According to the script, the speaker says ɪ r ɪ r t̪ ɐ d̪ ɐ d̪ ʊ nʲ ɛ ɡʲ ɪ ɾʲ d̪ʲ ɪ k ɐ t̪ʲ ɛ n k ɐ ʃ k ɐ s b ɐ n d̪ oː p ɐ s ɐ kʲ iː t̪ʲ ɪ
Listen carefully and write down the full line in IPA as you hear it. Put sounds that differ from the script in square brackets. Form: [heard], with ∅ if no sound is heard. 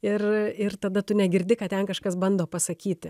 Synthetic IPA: ɪ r ɪ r t̪ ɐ d̪ ɐ [t̪] ʊ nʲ ɛ ɡʲ ɪ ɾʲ d̪ʲ ɪ k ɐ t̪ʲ ɛ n k ɐ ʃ k ɐ s b ɐ n d̪ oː p ɐ s ɐ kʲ iː t̪ʲ ɪ